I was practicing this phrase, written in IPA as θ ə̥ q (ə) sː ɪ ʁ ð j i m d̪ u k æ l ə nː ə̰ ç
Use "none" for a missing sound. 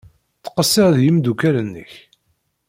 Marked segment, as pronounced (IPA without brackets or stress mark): ə